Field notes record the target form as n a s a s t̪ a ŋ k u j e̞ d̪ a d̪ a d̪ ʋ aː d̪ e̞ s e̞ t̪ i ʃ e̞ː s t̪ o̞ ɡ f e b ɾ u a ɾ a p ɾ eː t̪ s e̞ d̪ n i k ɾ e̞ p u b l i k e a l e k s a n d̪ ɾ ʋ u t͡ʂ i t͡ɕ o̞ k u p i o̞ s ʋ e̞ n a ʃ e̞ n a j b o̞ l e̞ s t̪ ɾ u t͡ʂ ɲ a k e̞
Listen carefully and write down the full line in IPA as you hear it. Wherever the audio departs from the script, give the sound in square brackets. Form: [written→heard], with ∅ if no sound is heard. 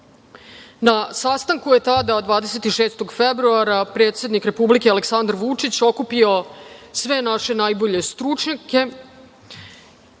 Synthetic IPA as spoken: n a s a s t̪ a ŋ k u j e̞ [d̪→t̪] a d̪ a d̪ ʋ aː d̪ e̞ s e̞ t̪ i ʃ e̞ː s t̪ o̞ ɡ f e b ɾ u a ɾ a p ɾ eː t̪ s e̞ d̪ n i k ɾ e̞ p u b l i k e a l e k s a n d̪ ɾ ʋ u t͡ʂ i t͡ɕ o̞ k u p i o̞ s ʋ e̞ n a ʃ e̞ n a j b o̞ [l→ʎ] e̞ s t̪ ɾ u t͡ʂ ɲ a k e̞